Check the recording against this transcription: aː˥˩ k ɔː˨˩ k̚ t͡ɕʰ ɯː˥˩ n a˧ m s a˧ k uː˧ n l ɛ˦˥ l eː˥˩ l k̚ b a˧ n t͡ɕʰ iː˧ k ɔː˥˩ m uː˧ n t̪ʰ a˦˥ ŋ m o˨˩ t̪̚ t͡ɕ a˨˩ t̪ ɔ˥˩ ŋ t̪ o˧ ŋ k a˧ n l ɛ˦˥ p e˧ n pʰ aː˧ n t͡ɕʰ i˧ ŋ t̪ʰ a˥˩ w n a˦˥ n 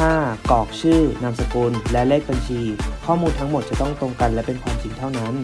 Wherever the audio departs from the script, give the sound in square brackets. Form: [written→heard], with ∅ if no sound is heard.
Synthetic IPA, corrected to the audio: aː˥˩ k ɔː˨˩ k̚ t͡ɕʰ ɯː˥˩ n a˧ m s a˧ k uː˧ n l ɛ˦˥ l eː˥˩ [l→∅] k̚ b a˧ n t͡ɕʰ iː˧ [k→kʰ] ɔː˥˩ m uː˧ n t̪ʰ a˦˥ ŋ m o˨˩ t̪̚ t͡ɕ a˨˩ t̪ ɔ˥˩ ŋ t̪ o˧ ŋ k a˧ n l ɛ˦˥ p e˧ n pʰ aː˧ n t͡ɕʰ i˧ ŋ t̪ʰ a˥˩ w n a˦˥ n

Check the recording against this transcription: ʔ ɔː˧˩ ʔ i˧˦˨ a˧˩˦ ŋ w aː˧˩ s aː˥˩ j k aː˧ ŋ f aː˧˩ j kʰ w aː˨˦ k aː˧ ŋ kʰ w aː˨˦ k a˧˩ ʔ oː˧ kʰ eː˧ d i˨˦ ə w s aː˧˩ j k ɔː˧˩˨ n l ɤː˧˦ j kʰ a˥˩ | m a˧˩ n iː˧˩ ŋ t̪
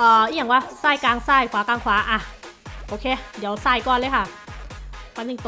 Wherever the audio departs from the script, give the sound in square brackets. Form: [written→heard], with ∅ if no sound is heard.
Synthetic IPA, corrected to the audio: ʔ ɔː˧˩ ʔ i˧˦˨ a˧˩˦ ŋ w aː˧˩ s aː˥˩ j k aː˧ ŋ [f→s] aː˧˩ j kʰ w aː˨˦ k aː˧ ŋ kʰ w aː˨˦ [k→ʔ] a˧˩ ʔ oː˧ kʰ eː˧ d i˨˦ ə w s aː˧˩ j k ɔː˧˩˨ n l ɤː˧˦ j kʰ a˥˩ | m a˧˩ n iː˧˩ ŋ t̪

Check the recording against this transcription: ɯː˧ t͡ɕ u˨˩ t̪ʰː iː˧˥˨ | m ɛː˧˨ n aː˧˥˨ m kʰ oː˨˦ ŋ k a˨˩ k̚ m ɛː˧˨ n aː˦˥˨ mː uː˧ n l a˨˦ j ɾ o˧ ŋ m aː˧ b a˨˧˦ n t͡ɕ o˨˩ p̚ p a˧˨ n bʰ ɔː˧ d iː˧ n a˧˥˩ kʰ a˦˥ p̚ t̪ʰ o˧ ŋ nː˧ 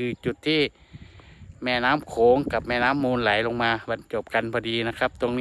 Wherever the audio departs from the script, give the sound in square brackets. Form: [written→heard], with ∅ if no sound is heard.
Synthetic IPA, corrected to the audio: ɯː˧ t͡ɕ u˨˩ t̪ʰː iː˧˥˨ | m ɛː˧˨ n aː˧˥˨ m kʰ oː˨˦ ŋ k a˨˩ [k̚→p̚] m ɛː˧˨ n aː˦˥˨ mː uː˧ n l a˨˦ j [ɾ→l] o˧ ŋ m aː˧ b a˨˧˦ n t͡ɕ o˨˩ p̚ [p→k] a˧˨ n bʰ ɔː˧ d iː˧ n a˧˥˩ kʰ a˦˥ p̚ [t̪ʰ→t̪] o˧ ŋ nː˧

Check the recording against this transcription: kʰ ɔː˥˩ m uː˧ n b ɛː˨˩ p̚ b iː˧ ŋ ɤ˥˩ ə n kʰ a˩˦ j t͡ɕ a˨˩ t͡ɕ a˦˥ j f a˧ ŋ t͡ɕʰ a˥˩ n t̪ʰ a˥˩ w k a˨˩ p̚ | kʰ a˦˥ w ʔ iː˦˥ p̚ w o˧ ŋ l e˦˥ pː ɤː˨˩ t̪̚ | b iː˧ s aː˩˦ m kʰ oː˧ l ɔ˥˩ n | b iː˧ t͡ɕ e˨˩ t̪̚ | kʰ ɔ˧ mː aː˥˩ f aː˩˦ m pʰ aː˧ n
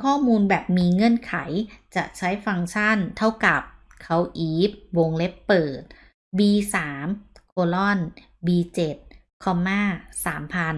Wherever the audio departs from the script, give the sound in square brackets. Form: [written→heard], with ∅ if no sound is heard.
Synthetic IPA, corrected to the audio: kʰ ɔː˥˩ m uː˧ n b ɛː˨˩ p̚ [b→m] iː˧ ŋ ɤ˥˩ ə n kʰ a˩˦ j t͡ɕ a˨˩ [t͡ɕ→t͡ɕʰ] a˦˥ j f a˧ ŋ t͡ɕʰ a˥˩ n t̪ʰ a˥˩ w k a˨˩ p̚ | kʰ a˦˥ w ʔ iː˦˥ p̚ w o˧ ŋ l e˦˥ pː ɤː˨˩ t̪̚ | b iː˧ s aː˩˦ m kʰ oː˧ l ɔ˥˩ n | b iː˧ t͡ɕ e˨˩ t̪̚ | kʰ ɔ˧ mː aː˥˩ [f→s] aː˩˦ m pʰ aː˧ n

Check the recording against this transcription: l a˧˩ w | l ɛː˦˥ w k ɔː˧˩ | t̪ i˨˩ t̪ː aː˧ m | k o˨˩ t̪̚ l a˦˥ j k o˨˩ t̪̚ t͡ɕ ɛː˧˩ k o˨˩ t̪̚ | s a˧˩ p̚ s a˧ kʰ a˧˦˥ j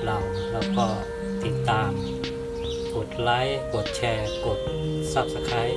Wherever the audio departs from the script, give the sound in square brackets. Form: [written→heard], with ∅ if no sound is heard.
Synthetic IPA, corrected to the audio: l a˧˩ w | l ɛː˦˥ w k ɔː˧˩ | t̪ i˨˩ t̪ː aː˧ m | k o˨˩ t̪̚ l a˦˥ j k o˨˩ t̪̚ [t͡ɕ→t͡ɕʰ] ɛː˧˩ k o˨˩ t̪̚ | s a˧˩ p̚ s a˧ kʰ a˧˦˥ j

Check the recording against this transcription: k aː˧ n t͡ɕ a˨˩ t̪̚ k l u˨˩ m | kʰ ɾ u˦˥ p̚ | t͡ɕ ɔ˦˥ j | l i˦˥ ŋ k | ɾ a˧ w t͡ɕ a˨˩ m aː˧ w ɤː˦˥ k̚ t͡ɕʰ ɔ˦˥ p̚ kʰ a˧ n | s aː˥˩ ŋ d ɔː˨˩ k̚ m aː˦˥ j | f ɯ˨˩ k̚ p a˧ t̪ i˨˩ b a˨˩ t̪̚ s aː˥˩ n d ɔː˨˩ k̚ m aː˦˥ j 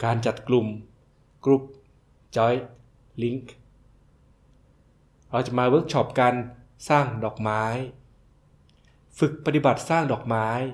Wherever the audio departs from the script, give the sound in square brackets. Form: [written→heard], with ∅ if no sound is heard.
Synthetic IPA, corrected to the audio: k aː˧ n t͡ɕ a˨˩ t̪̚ k l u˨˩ m | [kʰ→k] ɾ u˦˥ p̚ | t͡ɕ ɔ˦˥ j | l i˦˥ ŋ k | ɾ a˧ w t͡ɕ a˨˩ m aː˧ w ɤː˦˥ k̚ t͡ɕʰ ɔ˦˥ p̚ [kʰ→k] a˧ n | s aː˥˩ ŋ d ɔː˨˩ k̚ m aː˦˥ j | f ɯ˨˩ k̚ p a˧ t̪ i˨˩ b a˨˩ t̪̚ s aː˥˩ [n→ŋ] d ɔː˨˩ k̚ m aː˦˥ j

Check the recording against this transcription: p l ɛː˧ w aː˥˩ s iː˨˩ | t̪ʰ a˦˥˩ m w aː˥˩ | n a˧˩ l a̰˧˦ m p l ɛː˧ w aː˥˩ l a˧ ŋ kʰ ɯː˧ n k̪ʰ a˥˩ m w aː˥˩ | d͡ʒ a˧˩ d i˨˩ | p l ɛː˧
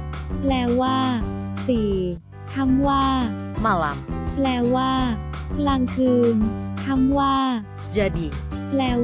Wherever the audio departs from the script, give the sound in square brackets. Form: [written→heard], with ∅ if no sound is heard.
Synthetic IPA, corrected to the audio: p l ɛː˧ w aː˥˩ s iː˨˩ | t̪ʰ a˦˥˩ m w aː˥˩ | [n→m] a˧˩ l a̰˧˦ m p l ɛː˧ w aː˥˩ l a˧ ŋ kʰ ɯː˧ n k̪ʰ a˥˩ m w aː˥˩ | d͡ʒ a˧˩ d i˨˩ | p l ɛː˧

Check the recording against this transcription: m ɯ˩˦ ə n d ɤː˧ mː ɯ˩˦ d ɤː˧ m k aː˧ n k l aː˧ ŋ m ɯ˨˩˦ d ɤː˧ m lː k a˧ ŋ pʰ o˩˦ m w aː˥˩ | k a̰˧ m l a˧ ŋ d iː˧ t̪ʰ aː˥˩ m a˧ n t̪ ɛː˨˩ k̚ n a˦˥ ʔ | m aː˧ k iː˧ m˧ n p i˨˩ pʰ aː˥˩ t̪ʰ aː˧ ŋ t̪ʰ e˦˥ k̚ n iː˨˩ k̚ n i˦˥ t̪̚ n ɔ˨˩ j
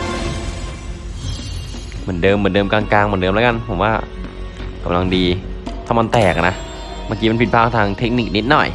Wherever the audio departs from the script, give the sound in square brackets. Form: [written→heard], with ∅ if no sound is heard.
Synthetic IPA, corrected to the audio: m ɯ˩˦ ə n d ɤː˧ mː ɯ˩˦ d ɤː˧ m k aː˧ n k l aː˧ ŋ m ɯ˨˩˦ d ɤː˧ m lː k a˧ [ŋ→n] pʰ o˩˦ m w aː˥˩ | k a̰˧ m l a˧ ŋ d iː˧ t̪ʰ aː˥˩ m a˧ n t̪ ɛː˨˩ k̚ n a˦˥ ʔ | m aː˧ k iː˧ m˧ n p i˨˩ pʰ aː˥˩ t̪ʰ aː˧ ŋ t̪ʰ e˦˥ k̚ n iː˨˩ k̚ n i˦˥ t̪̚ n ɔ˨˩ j

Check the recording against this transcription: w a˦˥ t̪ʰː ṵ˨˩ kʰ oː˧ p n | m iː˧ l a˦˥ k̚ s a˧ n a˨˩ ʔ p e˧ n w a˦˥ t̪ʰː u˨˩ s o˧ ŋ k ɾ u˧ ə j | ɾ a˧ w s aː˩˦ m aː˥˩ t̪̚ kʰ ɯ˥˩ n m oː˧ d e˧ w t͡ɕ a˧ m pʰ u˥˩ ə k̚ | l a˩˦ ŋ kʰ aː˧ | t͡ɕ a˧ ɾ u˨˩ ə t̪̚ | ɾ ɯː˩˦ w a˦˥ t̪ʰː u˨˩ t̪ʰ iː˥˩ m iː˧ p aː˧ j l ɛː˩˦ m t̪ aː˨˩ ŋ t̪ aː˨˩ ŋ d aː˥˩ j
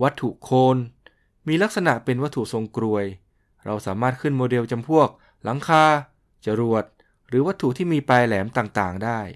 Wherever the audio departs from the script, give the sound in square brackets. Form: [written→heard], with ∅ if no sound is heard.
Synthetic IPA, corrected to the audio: w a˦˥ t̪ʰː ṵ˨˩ kʰ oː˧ [p→∅] n | m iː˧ l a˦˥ k̚ s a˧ n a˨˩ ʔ p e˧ n w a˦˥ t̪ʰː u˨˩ s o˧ ŋ k ɾ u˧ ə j | ɾ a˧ w s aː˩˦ m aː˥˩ t̪̚ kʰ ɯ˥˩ n m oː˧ d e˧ w t͡ɕ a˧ m pʰ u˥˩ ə k̚ | l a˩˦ ŋ kʰ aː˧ | t͡ɕ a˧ ɾ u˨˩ ə t̪̚ | ɾ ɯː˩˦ w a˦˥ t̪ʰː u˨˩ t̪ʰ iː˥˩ m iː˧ p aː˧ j l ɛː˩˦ m t̪ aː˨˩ ŋ t̪ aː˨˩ ŋ d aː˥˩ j

